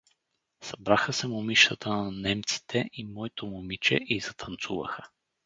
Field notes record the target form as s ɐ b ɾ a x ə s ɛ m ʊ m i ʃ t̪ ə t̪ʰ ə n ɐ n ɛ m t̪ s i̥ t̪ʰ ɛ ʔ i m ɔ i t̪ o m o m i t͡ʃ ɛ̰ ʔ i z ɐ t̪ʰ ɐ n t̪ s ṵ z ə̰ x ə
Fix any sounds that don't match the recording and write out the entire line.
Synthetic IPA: s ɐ b ɾ a x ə s ɛ m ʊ m i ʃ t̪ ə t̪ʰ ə n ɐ n ɛ m t̪ s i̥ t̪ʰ ɛ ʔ i m ɔ i t̪ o m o m i t͡ʃ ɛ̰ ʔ i z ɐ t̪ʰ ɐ n t̪ s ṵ v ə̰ x ə